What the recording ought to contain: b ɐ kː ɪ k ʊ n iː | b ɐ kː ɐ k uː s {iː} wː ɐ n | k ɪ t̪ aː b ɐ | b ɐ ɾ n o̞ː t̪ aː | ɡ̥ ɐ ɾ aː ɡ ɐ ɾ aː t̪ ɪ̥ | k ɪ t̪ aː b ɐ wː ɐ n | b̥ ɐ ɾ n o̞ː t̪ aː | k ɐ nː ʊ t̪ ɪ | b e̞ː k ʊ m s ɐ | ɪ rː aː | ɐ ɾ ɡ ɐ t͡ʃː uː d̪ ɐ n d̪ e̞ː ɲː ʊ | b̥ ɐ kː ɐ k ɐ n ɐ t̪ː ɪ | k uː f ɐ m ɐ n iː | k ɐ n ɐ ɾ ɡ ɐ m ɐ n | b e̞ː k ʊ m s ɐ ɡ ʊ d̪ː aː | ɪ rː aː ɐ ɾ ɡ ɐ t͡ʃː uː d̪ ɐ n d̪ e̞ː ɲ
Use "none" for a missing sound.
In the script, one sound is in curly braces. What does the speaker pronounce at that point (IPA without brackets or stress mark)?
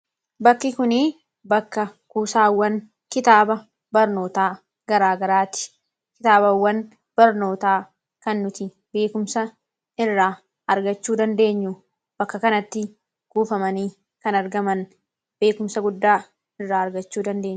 aː